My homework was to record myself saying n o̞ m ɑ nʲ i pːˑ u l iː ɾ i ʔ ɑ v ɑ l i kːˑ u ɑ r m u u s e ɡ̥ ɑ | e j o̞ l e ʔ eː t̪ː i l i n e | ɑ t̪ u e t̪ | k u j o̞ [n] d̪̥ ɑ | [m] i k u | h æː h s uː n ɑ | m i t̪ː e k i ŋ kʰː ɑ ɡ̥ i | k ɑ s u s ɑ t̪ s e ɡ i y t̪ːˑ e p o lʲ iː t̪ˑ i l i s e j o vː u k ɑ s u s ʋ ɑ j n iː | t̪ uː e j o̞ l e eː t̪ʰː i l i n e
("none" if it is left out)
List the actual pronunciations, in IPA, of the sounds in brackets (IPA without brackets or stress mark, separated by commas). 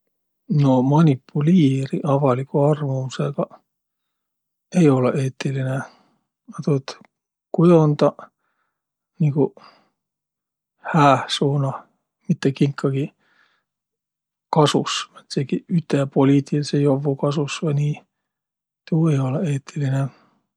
n, n